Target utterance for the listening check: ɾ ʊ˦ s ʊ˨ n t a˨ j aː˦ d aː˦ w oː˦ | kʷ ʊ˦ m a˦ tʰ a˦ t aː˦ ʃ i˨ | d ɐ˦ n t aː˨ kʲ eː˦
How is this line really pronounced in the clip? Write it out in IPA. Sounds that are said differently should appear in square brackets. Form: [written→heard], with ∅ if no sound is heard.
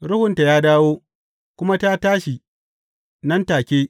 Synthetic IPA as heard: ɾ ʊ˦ [s→h] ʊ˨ n t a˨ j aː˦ d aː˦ w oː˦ | kʷ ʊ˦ m a˦ [tʰ→t] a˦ t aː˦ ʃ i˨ | [d→n] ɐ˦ n t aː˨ kʲ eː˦